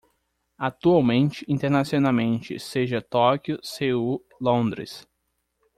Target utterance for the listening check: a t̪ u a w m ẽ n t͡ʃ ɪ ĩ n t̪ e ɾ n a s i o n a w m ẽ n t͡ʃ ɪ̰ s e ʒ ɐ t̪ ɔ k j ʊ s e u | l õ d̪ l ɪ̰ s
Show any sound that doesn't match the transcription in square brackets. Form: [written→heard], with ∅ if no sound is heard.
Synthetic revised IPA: a t̪ u a w m ẽ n t͡ʃ ɪ ĩ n t̪ e ɾ n a s i o n a w m ẽ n t͡ʃ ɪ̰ s e ʒ ɐ t̪ ɔ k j ʊ s e u | l õ d̪ [l→ɾ] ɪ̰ s